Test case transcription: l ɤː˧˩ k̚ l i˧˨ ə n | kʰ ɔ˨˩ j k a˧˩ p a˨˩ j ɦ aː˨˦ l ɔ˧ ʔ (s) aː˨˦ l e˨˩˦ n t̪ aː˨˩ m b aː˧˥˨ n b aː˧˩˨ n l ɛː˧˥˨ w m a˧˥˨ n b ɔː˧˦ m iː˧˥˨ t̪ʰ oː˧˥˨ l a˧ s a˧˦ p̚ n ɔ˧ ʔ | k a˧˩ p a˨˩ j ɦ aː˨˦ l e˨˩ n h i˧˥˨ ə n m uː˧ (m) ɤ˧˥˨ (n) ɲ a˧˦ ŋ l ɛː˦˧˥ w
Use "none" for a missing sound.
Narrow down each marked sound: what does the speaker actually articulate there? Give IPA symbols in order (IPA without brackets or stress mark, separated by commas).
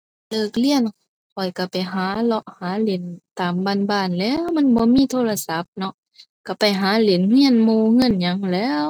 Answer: h, ŋ, n